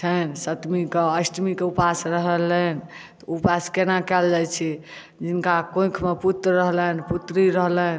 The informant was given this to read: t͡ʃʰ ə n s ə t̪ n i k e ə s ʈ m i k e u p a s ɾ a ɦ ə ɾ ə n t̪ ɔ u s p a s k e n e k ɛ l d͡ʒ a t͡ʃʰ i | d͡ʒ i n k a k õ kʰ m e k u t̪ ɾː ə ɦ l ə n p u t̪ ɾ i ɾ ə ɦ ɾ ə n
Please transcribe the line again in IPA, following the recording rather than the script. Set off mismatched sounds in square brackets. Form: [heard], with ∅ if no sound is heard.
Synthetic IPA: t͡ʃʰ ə n s ə t̪ [m] i k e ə s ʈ m i k e u p a s ɾ [ə] ɦ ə [l] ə n t̪ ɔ u [∅] p a s k e n [a] k ɛ l d͡ʒ a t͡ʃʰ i | d͡ʒ i n k a k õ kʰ m e [p] u t̪ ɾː ə ɦ l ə n p u t̪ ɾ i ɾ ə ɦ [l] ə n